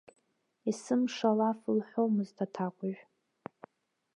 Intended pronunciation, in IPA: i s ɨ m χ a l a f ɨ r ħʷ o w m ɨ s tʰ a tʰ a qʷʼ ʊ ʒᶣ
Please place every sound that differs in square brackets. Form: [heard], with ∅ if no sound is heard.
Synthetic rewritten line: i s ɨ m [ʂ] a l a f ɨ [l] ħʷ o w m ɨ [z] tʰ a tʰ a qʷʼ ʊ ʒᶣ

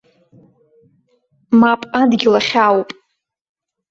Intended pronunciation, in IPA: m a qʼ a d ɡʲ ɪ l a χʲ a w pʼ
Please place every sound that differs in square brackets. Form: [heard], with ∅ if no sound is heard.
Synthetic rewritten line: m a [pʼ] a d ɡʲ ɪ l a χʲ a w pʼ

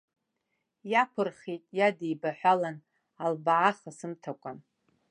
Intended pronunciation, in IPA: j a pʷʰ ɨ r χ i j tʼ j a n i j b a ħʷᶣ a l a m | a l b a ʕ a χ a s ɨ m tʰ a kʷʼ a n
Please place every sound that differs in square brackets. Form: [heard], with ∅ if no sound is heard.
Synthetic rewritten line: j a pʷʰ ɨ r χ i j tʼ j a [d] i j b a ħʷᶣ a l a [n] | a l b a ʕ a χ a s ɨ m tʰ a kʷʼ a n

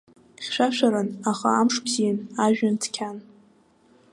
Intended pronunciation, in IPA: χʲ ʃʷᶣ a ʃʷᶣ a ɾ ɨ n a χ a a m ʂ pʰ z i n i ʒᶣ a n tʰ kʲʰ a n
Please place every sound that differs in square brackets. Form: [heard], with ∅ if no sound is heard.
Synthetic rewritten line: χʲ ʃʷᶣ a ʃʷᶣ a ɾ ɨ n a χ a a m ʂ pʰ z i n [a] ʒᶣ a n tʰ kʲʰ a n

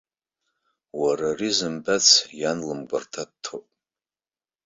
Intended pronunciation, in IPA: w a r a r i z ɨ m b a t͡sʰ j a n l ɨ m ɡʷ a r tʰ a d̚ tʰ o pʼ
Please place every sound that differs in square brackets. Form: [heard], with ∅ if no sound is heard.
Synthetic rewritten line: w a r a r i z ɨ m b a t͡sʰ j a n l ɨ m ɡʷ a r tʰ a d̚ tʰ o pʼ

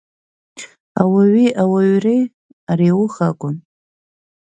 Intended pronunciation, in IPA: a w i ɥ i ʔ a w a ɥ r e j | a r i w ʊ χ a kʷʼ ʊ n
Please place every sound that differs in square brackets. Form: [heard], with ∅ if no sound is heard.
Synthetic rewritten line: a w [a] ɥ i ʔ a w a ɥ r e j | a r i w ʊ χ a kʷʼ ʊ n

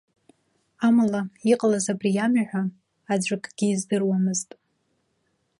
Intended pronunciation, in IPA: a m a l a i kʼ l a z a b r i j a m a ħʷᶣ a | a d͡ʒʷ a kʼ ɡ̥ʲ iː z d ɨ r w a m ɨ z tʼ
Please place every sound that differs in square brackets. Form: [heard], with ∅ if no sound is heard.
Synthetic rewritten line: a m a l a i [qʼ] l a z a b r i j a m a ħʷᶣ a | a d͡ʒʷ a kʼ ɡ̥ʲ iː z d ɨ r w a m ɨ z tʼ

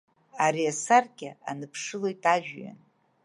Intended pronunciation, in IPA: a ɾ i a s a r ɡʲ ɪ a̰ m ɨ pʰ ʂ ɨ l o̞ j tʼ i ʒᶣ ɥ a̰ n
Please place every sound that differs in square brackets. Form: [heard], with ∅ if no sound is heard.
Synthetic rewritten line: a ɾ i a s a r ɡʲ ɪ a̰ [n] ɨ pʰ ʂ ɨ l o̞ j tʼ [a] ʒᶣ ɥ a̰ n

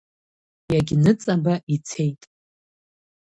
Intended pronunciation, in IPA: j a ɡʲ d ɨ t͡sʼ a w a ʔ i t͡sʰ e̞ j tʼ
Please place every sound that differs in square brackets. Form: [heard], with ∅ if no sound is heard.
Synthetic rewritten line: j a ɡʲ [n] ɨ t͡sʼ a [b] a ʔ i t͡sʰ e̞ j tʼ

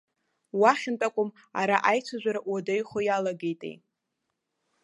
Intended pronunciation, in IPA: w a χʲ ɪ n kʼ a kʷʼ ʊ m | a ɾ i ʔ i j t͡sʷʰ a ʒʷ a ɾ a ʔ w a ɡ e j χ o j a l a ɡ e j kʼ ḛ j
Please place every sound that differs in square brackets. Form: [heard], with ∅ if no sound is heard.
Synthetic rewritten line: w a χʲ ɪ n [tʼ] a kʷʼ ʊ m | a ɾ [a] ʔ [a] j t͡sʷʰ a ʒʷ a ɾ a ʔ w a [d] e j χ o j a l a ɡ e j [tʼ] ḛ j

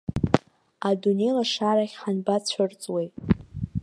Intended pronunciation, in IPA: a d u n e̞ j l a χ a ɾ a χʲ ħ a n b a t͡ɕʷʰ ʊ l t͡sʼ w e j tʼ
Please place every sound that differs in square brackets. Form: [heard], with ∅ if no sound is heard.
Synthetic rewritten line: a d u n e̞ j l a [ʂ] a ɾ a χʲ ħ a n b a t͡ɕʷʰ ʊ [r] t͡sʼ w e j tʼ

